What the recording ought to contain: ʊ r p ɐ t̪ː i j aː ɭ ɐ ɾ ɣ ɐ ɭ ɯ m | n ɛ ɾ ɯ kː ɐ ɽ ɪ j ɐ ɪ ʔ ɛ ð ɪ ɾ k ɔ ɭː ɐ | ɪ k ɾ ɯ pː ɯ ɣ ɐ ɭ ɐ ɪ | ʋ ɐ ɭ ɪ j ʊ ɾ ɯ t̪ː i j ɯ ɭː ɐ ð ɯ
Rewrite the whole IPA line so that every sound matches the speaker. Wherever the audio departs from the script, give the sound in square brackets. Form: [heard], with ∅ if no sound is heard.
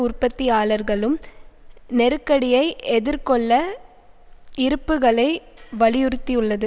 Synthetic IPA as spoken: ʊ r p ɐ t̪ː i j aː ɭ ɐ ɾ ɣ ɐ ɭ ɯ m | n ɛ ɾ ɯ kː ɐ ɽ ɪ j ɐ ɪ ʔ ɛ ð ɪ ɾ k ɔ ɭː ɐ | ɪ [∅] ɾ ɯ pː ɯ ɣ ɐ ɭ ɐ ɪ | ʋ ɐ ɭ ɪ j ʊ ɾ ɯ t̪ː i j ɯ ɭː ɐ ð ɯ